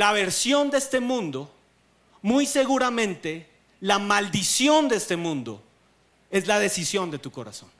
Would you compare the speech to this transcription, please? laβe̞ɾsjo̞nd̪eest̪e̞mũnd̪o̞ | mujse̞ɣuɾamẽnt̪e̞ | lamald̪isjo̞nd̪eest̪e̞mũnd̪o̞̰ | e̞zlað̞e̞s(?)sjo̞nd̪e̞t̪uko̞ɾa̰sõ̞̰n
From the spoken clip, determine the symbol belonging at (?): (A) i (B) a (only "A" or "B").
A